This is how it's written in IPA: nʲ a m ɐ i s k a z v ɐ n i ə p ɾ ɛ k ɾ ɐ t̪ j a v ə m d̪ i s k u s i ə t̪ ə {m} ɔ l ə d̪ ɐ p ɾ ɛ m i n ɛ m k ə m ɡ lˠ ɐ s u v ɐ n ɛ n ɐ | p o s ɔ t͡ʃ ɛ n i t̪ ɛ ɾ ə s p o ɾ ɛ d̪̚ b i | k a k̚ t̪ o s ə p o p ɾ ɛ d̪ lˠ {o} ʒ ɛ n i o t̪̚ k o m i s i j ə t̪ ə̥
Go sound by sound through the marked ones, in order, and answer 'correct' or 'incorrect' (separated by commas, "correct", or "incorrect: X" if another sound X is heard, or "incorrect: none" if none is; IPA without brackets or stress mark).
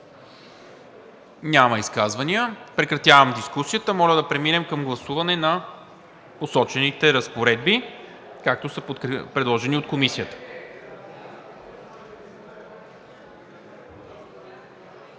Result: correct, incorrect: ɔ